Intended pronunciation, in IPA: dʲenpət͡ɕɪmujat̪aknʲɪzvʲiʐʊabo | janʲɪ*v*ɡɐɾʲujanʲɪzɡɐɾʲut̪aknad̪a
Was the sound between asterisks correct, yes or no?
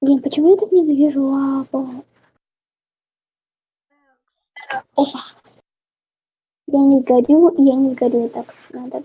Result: no